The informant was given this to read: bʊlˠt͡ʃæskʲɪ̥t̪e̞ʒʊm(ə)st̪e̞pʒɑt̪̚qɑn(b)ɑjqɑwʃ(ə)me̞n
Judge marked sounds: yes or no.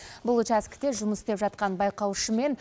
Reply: yes, yes, yes

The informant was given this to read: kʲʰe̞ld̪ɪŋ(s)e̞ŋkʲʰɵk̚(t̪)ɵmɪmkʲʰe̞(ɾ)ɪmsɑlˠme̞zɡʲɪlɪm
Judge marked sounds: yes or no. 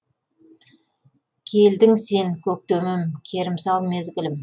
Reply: yes, yes, yes

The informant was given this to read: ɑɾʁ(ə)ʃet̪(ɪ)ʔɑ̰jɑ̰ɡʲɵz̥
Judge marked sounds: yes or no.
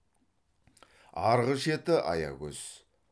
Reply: yes, yes

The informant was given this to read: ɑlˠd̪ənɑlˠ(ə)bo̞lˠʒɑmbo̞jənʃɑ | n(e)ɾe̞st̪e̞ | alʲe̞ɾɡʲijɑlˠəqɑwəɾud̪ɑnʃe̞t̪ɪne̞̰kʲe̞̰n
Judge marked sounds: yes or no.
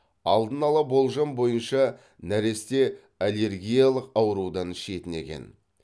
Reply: no, no

